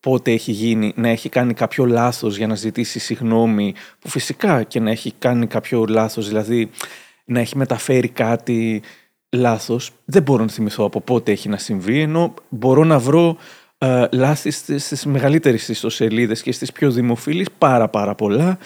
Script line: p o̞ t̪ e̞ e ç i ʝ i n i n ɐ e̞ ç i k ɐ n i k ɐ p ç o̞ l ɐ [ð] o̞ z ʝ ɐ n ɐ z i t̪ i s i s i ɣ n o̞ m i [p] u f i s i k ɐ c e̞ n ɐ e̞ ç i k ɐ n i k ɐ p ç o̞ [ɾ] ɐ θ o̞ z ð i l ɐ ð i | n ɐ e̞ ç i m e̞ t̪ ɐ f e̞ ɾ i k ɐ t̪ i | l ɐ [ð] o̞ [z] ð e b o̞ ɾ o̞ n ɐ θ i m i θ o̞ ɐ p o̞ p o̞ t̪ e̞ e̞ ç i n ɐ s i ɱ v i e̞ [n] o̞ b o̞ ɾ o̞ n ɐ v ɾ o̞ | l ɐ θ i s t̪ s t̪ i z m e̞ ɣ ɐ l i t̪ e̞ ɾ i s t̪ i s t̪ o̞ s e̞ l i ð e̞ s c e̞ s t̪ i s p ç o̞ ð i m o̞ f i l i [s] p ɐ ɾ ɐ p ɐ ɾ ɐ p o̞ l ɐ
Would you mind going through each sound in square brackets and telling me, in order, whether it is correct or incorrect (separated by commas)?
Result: incorrect, correct, incorrect, incorrect, incorrect, correct, correct